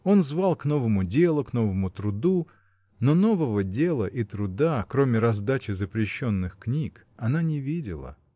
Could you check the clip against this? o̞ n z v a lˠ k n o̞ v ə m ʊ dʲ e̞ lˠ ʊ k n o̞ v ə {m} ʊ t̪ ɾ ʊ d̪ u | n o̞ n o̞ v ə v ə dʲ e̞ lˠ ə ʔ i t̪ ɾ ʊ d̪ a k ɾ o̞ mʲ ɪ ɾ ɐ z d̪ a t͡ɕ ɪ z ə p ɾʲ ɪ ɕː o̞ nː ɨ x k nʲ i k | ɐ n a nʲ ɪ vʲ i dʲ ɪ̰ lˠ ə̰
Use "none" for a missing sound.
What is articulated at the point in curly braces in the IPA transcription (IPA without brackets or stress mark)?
m